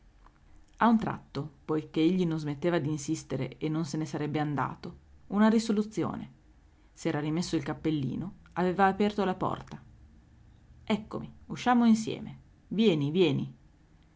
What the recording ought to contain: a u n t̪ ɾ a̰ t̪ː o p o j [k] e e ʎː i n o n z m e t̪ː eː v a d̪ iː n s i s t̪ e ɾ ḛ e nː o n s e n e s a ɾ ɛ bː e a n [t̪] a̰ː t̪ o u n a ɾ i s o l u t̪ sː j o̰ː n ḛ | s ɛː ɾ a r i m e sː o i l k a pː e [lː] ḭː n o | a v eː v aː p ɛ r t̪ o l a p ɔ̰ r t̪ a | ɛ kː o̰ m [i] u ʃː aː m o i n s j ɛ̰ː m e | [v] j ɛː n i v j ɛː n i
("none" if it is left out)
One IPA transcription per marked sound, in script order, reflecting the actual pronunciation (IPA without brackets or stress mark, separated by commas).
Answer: k, d̪, lː, i, v